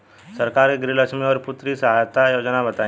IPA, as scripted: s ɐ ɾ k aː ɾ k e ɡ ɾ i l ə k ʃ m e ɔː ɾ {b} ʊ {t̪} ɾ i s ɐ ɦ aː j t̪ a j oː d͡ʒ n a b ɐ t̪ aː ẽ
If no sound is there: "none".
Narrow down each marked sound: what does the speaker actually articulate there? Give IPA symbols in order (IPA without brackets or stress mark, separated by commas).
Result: p, t̪